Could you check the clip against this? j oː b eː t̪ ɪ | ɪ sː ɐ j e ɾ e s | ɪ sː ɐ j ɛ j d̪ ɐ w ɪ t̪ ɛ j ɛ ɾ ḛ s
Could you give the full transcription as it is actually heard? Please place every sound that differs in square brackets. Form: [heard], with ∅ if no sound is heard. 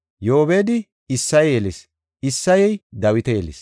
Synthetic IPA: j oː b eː [d̪] ɪ | ɪ sː ɐ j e [l] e s | ɪ sː ɐ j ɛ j d̪ ɐ w ɪ t̪ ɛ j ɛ [l] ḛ s

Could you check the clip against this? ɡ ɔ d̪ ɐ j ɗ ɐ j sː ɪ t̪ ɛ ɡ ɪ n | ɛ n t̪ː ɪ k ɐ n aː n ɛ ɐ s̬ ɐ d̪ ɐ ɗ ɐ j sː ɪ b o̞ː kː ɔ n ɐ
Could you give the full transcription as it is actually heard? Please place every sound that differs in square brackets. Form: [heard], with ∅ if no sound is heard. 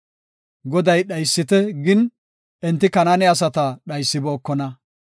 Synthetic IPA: ɡ ɔ d̪ ɐ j ɗ ɐ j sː ɪ t̪ ɛ ɡ ɪ n | ɛ n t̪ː ɪ k ɐ n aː n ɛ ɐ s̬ ɐ [t̪] ɐ ɗ ɐ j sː ɪ b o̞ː kː ɔ n ɐ

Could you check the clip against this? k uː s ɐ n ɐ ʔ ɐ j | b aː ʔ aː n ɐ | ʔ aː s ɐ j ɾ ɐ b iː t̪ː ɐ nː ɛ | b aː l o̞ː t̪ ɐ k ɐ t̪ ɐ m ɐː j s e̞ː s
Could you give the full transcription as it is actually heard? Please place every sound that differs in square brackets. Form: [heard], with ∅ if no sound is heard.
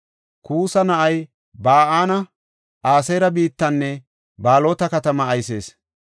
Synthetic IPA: k uː s ɐ n ɐ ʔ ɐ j | b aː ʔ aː n ɐ | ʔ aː s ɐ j ɾ ɐ b iː t̪ː ɐ nː ɛ | b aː l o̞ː t̪ ɐ k ɐ t̪ ɐ m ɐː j s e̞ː s

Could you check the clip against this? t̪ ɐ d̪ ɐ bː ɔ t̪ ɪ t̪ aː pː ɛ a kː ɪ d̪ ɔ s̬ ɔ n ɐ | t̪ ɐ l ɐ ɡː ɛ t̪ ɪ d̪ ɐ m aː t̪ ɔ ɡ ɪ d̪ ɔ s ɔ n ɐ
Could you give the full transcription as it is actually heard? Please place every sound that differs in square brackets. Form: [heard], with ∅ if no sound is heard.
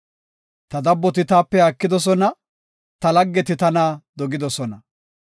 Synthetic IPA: t̪ ɐ d̪ ɐ bː ɔ t̪ ɪ t̪ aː pː ɛ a kː ɪ d̪ ɔ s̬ ɔ n ɐ | t̪ ɐ l ɐ ɡː ɛ t̪ ɪ [t̪] ɐ [n] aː [d̪] ɔ ɡ ɪ d̪ ɔ s ɔ n ɐ

